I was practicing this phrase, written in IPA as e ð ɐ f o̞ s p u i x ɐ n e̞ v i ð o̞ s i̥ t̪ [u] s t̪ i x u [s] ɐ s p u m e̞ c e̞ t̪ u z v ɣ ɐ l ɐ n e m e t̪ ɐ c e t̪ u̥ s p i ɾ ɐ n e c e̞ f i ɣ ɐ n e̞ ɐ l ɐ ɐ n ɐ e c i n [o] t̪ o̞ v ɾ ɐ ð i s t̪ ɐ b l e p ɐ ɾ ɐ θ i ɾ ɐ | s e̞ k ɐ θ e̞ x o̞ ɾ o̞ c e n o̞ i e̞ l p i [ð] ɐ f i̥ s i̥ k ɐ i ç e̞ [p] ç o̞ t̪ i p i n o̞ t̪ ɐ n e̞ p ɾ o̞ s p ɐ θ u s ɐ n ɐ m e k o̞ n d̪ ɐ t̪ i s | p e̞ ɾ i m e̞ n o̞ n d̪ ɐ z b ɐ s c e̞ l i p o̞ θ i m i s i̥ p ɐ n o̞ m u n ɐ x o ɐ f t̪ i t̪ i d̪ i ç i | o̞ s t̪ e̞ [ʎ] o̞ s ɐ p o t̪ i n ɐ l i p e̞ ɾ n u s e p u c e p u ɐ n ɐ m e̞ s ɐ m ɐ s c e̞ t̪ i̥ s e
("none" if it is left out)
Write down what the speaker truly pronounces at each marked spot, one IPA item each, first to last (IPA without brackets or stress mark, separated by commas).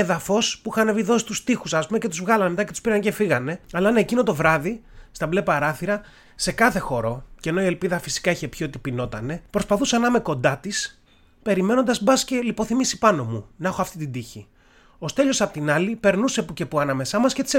u, s, o, ð, p, ʎ